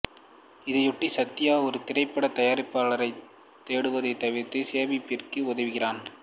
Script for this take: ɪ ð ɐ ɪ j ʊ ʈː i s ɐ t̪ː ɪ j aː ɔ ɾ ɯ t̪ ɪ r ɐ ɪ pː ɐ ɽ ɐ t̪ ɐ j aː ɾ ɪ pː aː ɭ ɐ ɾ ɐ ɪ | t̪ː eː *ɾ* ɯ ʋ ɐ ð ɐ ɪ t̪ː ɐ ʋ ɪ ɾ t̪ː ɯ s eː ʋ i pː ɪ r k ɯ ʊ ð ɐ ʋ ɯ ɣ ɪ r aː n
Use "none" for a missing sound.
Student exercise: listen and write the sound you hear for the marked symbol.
ɽ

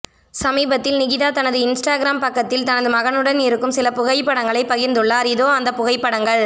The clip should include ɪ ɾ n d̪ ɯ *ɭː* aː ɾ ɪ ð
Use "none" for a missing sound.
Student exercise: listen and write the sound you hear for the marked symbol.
ɭː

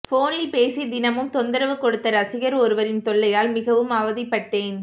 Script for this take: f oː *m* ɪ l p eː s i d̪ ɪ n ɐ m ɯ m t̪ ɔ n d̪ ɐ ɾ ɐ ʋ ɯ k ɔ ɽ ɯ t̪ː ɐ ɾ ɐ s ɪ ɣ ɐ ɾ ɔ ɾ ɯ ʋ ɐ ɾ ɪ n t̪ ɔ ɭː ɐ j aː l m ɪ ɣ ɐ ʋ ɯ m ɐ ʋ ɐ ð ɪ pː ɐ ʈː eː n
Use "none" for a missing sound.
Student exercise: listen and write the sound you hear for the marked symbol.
n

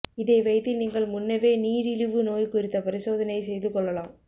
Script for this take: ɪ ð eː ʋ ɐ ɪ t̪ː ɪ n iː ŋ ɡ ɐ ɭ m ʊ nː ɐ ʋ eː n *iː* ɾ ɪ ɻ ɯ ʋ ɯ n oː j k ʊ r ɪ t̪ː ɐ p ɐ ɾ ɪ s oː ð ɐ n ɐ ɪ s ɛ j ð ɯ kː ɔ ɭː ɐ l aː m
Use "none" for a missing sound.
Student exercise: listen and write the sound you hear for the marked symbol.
iː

